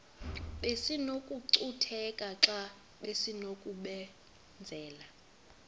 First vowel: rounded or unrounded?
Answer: unrounded